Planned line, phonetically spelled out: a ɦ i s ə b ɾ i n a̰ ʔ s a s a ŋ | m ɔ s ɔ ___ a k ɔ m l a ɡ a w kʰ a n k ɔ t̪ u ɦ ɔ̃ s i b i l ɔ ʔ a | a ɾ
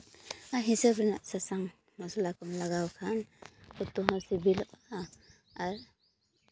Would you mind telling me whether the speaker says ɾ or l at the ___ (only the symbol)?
l